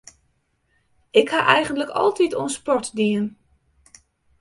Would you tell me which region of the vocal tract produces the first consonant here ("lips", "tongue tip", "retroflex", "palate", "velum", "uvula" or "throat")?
velum